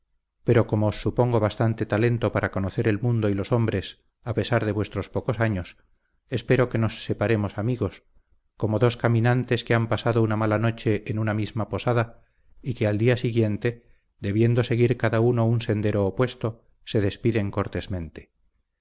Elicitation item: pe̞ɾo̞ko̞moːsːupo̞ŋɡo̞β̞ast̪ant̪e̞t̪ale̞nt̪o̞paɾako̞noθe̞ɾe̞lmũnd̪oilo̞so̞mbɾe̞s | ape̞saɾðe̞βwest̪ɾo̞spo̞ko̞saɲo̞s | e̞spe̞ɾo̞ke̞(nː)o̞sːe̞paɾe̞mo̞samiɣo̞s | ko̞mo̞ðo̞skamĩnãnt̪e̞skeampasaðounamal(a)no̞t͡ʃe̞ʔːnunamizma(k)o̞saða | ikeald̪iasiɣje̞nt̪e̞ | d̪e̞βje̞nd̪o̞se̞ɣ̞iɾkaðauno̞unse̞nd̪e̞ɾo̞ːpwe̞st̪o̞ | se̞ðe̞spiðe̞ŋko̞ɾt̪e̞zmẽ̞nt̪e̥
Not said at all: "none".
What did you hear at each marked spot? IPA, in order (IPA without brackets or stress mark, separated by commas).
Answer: n, a, p